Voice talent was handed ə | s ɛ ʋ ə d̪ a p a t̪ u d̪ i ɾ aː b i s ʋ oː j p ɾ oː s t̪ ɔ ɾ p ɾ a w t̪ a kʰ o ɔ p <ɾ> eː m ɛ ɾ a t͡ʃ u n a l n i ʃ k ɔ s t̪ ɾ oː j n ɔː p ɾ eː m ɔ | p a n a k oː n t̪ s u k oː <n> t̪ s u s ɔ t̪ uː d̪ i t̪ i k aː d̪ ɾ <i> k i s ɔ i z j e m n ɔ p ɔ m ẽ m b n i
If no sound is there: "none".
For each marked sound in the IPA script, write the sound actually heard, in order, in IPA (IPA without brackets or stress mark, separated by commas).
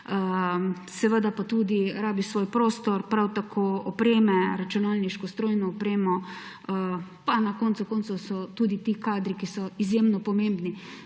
ɾ, n, i